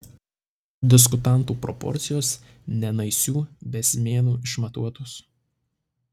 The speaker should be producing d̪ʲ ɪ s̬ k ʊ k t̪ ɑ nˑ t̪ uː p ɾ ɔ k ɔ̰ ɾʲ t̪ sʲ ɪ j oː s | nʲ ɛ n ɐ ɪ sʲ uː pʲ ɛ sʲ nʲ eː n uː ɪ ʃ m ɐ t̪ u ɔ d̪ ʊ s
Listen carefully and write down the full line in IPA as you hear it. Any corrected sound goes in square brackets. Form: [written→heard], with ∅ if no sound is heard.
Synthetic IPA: d̪ʲ ɪ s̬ k ʊ [k→∅] t̪ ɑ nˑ t̪ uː p ɾ ɔ [k→p] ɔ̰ ɾʲ t̪ sʲ ɪ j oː s | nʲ ɛ n ɐ ɪ sʲ uː [pʲ→bʲ] ɛ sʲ [nʲ→mʲ] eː n uː ɪ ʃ m ɐ t̪ u ɔ [d̪→t̪] ʊ s